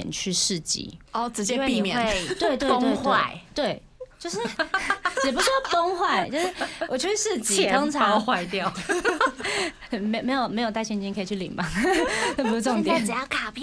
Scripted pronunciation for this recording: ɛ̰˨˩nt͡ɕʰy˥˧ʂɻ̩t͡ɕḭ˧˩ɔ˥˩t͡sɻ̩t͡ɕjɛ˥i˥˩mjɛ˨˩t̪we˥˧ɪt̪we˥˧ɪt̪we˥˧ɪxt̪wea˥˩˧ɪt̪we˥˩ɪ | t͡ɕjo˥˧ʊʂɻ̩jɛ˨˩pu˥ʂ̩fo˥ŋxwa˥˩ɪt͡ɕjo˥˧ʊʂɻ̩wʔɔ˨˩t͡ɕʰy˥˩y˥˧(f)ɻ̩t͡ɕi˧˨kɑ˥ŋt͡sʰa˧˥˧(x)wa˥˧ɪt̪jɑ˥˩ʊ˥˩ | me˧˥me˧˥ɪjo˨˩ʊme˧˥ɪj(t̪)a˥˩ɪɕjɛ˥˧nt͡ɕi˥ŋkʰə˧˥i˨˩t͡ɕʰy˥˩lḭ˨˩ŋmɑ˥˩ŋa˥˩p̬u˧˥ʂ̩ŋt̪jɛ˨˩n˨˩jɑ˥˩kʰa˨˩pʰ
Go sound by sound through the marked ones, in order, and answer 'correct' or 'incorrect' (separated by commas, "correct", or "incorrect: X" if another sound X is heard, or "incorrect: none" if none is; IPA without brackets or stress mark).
incorrect: ʂ, correct, correct